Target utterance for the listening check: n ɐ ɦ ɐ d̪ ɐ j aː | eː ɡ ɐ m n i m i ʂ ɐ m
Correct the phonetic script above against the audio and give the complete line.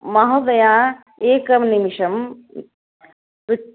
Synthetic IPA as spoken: m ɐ ɦ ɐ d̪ ɐ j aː | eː k ɐ m n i m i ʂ ɐ m